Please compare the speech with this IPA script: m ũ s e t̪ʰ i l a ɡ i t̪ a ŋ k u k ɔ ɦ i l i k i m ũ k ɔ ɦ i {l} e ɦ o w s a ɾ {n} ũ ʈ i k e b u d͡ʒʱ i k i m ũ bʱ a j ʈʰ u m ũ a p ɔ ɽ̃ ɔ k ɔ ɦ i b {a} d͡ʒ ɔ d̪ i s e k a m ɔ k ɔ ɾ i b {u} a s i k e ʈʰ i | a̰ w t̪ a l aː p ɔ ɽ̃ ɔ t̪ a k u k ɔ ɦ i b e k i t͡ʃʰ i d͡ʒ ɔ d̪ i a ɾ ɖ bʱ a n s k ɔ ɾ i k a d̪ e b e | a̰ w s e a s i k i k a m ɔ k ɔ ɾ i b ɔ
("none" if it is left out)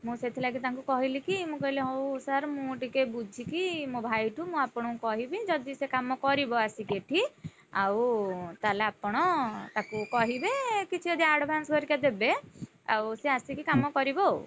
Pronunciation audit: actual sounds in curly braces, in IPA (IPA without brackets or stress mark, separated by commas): l, m, i, ɔ